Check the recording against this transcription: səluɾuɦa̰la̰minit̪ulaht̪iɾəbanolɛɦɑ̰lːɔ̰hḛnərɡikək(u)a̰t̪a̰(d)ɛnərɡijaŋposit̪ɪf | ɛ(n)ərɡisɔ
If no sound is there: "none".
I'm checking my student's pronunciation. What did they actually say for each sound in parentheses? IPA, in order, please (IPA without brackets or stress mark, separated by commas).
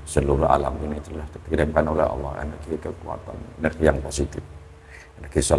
u, n, n